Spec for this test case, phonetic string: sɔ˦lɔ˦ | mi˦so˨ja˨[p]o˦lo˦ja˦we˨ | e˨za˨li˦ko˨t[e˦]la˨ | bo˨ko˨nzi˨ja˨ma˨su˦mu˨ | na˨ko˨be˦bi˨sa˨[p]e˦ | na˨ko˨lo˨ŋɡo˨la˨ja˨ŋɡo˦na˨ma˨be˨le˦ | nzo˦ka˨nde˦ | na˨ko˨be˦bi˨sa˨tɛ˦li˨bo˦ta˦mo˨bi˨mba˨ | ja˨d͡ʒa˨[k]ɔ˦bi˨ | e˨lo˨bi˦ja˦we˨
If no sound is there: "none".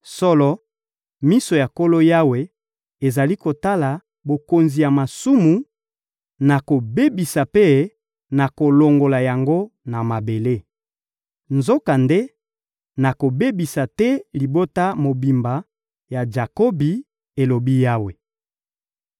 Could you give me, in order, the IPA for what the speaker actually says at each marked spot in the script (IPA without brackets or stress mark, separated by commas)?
k, a˦, p, k